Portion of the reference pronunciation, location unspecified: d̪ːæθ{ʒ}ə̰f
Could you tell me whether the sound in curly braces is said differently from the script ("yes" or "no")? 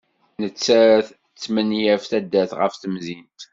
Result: yes